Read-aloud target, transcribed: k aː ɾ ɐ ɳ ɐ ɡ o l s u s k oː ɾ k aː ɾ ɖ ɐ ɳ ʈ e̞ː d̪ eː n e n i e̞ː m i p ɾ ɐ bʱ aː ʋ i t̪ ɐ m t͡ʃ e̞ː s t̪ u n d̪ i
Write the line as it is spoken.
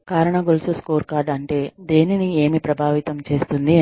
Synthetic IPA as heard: k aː ɾ ɐ ɳ ɐ ɡ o l s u s k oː ɾ k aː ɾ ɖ ɐ ɳ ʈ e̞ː d̪ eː n i n i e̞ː m i p ɾ ɐ bʱ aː ʋ i t̪ ɐ m t͡ʃ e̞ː s t̪ u n d̪ i